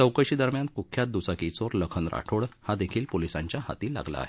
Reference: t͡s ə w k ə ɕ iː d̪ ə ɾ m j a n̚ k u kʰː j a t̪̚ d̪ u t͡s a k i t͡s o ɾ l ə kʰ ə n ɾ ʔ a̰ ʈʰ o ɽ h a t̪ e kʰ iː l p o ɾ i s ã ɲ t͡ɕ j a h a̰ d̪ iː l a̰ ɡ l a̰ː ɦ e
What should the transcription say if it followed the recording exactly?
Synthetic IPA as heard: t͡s ə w k ə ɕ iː d̪ ə ɾ m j a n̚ k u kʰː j a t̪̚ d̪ u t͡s a k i t͡s o ɾ l ə kʰ ə n ɾ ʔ a̰ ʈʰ o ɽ h a d̪ e kʰ iː l p o l i s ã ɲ t͡ɕ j a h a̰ t̪ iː l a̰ ɡ l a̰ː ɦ e

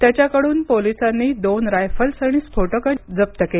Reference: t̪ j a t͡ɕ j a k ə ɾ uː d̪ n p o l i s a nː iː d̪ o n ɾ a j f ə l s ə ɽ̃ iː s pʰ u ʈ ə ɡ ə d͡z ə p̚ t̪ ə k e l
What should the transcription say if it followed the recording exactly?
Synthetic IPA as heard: t̪ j a t͡ɕ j a k ə ɽ uː n p o l i s a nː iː d̪ o n ɾ a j f ə l s ə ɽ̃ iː s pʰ o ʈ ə k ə d͡z ə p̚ t̪ ə k e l

